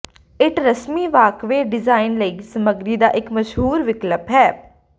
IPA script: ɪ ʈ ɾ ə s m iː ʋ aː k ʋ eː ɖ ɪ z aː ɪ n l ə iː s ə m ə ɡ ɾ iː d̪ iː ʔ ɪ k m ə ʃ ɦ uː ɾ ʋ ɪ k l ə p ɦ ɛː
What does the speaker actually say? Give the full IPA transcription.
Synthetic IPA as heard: ɪ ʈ ɾ ə s m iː ʋ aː k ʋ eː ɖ ɪ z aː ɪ n l ə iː s ə m ə ɡ ɾ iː d̪ aː ʔ ɪ k m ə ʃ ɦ uː ɾ ʋ ɪ k l ə p ɦ ɛː